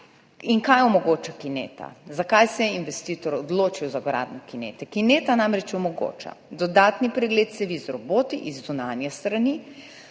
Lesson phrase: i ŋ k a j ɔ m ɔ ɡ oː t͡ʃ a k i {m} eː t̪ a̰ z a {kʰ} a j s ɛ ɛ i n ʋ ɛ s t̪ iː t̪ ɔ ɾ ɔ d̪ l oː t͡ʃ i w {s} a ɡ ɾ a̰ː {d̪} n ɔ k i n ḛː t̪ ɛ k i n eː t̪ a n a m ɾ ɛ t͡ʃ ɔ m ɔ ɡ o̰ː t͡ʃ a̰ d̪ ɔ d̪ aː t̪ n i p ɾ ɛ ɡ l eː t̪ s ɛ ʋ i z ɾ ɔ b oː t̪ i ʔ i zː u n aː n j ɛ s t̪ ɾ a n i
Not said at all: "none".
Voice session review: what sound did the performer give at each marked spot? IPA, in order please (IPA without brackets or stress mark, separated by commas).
n, k, z, d̪